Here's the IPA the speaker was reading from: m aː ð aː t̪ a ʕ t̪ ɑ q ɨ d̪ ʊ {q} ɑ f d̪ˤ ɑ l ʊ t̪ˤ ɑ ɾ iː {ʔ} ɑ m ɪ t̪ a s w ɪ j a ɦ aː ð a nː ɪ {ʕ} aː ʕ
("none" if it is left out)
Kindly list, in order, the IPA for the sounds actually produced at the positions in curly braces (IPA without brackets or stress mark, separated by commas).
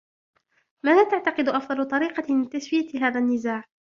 ʔ, q, z